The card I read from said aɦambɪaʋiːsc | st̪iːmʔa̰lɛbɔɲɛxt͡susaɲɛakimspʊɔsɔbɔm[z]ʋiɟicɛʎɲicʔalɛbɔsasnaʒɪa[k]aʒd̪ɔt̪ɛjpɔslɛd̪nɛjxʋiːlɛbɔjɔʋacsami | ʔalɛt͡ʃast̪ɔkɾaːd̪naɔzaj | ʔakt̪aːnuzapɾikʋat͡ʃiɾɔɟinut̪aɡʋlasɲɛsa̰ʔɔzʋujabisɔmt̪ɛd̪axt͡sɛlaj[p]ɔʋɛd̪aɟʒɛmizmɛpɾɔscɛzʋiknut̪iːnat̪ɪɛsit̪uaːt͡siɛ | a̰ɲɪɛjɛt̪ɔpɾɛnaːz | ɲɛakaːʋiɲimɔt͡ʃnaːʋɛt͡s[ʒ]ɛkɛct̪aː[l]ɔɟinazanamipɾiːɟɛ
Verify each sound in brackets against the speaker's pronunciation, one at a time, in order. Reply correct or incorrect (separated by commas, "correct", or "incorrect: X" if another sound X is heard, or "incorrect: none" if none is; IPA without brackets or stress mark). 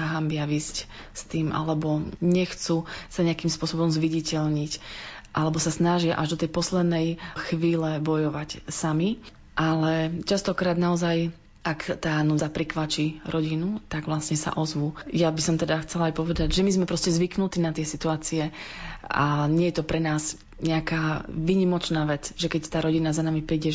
correct, incorrect: ʔ, correct, correct, incorrect: ɾ